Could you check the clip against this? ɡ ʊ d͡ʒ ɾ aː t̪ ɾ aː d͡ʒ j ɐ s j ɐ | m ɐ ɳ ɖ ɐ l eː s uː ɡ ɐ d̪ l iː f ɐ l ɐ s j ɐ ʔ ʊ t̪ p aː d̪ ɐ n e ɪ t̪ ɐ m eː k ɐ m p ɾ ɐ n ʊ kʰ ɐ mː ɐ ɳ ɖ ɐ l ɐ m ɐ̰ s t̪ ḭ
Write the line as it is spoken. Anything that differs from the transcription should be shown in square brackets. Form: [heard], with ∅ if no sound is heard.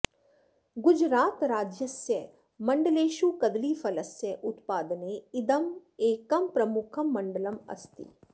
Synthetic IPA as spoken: ɡ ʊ d͡ʒ ɾ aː t̪ ɾ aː d͡ʒ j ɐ s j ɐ | m ɐ ɳ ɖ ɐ l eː [ʃ] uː [k] ɐ d̪ l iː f ɐ l ɐ s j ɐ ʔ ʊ t̪ p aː d̪ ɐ n e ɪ [d̪] ɐ m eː k ɐ m p ɾ ɐ [m] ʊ kʰ ɐ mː ɐ ɳ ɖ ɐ l ɐ m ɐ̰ s t̪ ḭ